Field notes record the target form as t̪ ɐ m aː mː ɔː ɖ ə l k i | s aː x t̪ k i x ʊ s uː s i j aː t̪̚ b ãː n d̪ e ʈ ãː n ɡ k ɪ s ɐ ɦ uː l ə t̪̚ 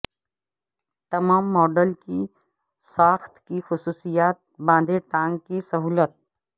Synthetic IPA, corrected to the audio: t̪ ɐ m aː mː ɔː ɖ ə l k i | s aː x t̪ k i x ʊ s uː s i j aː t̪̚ b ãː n d̪ e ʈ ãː ŋ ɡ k i s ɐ ɦ uː l ə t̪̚